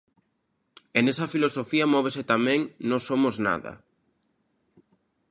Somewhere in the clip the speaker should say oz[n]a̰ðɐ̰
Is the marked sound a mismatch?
no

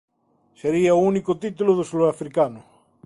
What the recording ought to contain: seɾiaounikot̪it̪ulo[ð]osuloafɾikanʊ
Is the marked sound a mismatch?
no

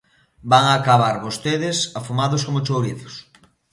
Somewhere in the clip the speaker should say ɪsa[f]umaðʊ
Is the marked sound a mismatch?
no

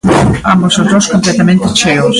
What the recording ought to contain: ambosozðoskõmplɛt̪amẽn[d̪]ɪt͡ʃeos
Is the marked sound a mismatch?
yes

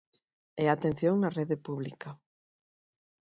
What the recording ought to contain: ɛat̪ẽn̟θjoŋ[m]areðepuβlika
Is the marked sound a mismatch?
yes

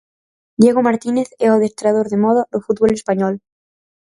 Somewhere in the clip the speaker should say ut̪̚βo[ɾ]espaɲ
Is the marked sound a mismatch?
yes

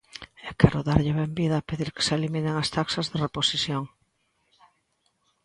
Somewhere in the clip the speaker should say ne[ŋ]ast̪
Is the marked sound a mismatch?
no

